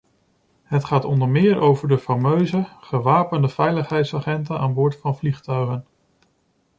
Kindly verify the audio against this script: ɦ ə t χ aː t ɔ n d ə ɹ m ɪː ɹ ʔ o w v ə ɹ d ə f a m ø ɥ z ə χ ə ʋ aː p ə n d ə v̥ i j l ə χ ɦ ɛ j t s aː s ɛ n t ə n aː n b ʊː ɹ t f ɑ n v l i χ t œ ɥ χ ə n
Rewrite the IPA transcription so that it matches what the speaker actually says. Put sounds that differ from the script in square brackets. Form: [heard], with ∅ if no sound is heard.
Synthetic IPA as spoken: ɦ ə t χ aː t ɔ n d ə ɹ m ɪː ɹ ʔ o w v ə ɹ d ə f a m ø ɥ z ə χ ə ʋ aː p ə n d ə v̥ [ɛ] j l ə χ ɦ ɛ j t s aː [χ] ɛ n t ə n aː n b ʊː ɹ t f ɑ n v l i χ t œ ɥ χ ə n